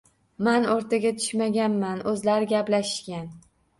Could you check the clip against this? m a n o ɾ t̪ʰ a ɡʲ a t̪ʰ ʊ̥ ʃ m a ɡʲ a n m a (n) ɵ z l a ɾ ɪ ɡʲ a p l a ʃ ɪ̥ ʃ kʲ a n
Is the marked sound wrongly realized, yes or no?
no